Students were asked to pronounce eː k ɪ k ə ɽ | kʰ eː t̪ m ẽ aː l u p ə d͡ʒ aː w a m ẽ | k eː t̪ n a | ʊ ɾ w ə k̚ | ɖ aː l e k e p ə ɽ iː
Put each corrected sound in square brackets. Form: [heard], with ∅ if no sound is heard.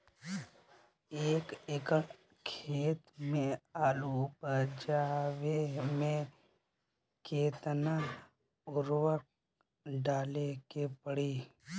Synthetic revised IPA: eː k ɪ k ə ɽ | kʰ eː t̪ m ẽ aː l u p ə d͡ʒ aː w [e] m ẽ | k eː t̪ n a | ʊ ɾ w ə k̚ | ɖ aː l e k e p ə ɽ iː